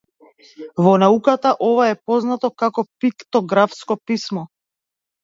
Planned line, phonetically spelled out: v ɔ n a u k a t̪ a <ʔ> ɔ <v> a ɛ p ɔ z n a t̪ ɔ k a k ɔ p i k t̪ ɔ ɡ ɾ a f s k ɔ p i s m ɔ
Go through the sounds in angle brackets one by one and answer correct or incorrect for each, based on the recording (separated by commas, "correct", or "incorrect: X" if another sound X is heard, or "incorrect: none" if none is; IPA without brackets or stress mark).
correct, correct